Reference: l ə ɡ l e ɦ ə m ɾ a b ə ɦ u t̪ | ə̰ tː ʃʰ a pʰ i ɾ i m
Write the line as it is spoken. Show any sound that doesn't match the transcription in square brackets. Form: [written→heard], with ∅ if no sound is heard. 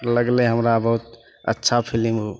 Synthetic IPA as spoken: l ə ɡ l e ɦ ə m ɾ a b ə ɦ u t̪ | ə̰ tː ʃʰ a pʰ i [ɾ→l] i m